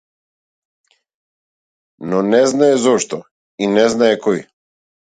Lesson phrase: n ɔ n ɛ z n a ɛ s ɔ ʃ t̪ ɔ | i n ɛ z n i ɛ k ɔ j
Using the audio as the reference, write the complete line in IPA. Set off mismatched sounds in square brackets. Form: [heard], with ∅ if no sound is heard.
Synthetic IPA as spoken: n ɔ n ɛ z n a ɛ [z] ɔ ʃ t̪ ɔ | i n ɛ z n [a] ɛ k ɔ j